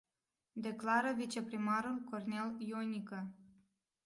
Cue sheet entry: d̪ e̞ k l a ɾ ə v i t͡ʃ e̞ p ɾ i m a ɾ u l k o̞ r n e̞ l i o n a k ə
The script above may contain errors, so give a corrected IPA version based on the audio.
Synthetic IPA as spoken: d̪ e̞ k l a ɾ ə v i t͡ʃ e̞ p ɾ i m a ɾ u l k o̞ r n e̞ l j o n i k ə